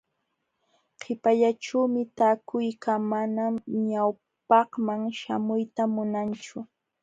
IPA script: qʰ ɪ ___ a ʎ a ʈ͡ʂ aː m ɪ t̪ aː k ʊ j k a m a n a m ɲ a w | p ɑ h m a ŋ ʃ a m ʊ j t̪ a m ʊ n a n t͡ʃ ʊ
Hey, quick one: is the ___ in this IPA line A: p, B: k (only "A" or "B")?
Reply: A